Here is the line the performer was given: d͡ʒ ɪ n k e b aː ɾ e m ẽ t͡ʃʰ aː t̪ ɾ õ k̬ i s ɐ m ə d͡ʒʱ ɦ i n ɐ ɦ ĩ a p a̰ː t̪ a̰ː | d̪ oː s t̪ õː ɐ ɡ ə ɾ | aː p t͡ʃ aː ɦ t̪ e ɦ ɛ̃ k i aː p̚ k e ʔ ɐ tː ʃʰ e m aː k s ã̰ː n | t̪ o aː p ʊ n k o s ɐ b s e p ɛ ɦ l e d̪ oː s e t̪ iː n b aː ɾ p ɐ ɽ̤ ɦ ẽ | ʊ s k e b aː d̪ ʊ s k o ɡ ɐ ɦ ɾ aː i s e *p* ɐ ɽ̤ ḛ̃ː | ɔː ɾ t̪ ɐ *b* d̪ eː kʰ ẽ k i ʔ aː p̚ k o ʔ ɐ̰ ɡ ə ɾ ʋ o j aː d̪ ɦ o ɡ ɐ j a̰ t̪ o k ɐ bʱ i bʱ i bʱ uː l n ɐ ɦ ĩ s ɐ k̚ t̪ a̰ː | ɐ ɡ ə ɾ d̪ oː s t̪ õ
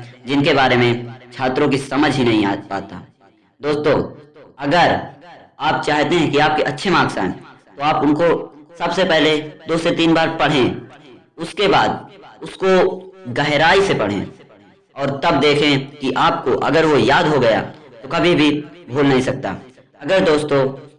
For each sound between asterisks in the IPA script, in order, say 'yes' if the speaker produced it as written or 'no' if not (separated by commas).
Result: yes, yes